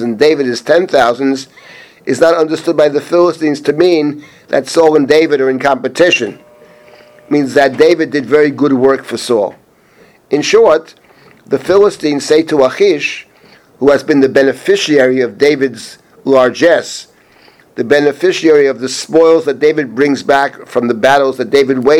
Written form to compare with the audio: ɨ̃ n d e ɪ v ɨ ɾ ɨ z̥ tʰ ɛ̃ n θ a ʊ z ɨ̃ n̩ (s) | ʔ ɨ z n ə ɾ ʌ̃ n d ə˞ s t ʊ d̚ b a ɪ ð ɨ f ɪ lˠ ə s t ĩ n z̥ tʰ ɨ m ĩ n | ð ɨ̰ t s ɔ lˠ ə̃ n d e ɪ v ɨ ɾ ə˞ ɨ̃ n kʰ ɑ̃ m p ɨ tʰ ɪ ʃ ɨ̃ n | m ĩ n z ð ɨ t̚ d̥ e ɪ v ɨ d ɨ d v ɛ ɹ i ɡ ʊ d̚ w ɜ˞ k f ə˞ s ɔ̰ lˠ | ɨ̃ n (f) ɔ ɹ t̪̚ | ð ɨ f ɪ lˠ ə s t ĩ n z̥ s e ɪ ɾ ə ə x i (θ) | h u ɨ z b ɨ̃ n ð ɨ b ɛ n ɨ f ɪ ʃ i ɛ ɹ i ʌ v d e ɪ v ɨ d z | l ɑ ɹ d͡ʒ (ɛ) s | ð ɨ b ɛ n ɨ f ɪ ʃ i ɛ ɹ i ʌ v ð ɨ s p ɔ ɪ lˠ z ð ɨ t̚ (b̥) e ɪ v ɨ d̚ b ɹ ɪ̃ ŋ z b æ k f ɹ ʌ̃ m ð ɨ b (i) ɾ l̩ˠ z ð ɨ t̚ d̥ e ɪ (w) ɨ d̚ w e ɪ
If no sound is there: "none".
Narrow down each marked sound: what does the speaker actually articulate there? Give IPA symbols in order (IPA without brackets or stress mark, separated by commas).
z, ʃ, ʃ, ɛ, d̥, æ, v